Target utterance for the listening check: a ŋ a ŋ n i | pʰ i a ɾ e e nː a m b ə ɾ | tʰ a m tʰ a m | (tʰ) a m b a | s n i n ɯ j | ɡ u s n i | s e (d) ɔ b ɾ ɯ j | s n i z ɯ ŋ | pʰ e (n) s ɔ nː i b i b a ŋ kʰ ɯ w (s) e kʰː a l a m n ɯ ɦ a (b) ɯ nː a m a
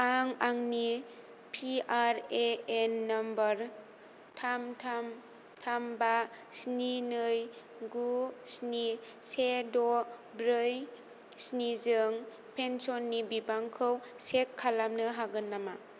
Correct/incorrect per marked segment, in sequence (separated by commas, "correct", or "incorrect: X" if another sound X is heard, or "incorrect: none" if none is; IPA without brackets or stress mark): correct, correct, correct, correct, incorrect: ɡ